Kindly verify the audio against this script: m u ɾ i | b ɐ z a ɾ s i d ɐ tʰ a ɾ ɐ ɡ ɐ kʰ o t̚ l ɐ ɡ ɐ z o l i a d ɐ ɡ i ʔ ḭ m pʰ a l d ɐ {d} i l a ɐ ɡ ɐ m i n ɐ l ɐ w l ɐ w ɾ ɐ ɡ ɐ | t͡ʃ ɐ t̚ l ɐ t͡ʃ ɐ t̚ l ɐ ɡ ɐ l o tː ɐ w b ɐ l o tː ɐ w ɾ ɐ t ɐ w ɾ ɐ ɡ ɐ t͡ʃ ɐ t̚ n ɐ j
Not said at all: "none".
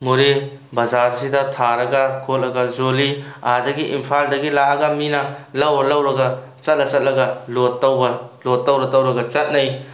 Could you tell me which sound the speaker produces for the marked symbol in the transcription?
ɡ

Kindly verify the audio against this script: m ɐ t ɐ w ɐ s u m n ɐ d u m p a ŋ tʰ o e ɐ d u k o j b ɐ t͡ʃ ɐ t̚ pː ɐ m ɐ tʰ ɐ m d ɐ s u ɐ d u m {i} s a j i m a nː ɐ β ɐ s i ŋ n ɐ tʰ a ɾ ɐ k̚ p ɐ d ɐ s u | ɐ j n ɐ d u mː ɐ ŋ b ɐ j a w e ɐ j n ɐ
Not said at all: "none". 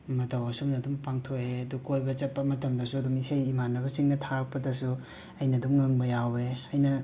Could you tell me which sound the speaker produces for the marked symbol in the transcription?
i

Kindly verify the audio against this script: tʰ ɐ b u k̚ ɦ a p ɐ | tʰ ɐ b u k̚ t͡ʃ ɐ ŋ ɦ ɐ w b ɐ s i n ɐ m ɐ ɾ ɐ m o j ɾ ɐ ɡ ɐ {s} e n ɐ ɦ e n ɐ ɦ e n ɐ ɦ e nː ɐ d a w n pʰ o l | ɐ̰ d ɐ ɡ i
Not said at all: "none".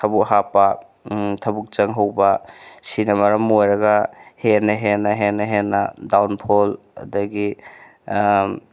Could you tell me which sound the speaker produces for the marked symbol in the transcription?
h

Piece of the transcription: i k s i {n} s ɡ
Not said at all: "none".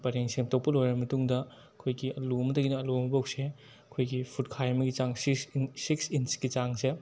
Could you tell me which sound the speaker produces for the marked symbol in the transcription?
n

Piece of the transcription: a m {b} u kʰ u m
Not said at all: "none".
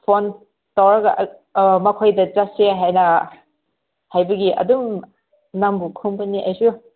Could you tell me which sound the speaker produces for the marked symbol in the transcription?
b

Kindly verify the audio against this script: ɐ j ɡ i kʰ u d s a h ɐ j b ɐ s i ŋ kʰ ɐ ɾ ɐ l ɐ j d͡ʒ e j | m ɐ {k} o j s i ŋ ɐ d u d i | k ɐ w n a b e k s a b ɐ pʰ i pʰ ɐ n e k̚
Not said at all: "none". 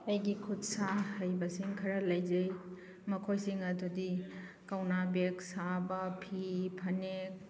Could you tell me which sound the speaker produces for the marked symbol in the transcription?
kʰ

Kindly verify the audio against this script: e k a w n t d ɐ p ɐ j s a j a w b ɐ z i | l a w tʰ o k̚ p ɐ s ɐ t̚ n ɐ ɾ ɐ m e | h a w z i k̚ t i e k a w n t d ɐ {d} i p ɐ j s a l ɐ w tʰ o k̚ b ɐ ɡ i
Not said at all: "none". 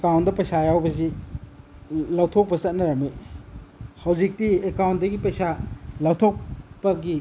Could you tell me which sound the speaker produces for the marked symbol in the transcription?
ɡ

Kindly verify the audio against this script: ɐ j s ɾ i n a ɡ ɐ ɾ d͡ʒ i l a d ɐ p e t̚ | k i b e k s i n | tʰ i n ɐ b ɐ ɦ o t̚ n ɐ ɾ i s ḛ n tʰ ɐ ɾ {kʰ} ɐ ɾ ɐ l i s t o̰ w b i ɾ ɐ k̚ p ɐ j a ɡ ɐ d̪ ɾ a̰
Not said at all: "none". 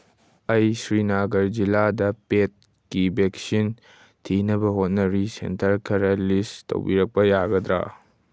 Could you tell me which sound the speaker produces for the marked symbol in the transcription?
kʰ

